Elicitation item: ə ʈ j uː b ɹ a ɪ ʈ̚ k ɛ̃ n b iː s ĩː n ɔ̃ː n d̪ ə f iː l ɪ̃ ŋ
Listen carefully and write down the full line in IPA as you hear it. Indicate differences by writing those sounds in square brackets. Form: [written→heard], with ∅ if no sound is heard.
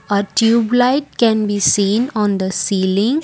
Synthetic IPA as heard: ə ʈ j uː b [ɹ→l] a ɪ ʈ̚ k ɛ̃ n b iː s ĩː n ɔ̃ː n d̪ ə [f→s] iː l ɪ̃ ŋ